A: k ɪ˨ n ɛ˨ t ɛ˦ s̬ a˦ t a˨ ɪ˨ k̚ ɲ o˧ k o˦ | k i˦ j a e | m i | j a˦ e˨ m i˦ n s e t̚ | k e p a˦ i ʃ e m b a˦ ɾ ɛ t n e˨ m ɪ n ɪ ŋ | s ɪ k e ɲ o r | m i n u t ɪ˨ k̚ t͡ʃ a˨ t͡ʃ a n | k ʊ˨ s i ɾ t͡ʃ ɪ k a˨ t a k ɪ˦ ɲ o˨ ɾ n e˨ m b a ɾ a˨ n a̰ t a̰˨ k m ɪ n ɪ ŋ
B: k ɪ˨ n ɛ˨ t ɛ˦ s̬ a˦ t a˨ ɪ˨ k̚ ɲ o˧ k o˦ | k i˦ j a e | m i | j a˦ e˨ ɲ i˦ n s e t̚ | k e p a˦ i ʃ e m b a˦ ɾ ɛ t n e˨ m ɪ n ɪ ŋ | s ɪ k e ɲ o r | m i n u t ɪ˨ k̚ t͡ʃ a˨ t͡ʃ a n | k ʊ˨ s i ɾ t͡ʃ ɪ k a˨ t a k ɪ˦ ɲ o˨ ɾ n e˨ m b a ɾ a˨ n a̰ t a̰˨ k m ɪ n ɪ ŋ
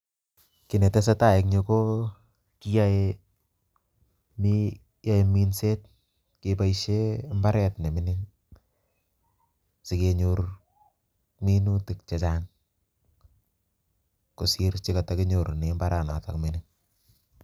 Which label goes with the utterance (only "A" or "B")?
A